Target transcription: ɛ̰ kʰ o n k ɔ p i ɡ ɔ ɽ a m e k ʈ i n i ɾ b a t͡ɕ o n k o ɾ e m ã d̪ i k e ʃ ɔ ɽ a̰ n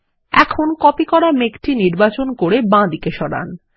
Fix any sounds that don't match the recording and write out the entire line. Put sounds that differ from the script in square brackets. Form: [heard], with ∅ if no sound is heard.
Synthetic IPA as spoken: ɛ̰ kʰ o n k ɔ p i [k] ɔ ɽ a m e k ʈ i n i ɾ b a t͡ɕ o n k o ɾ e [b] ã d̪ i k e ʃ ɔ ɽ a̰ n